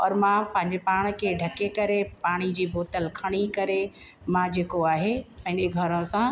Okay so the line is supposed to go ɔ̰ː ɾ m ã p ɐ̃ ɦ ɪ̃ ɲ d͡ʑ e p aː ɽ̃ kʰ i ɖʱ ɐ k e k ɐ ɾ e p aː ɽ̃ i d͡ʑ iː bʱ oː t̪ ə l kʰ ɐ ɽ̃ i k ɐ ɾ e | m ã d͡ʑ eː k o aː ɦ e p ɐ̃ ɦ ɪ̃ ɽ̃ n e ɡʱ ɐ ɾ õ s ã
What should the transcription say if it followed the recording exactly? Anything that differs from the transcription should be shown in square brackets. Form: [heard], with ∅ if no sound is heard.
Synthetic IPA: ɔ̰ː ɾ m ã p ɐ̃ ɦ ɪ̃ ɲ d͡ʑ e p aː ɽ̃ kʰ [e] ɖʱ ɐ k e k ɐ ɾ e p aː ɽ̃ i d͡ʑ iː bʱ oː t̪ ə l kʰ ɐ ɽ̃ i k ɐ ɾ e | m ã d͡ʑ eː k o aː ɦ e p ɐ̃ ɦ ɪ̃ [∅] n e ɡʱ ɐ ɾ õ s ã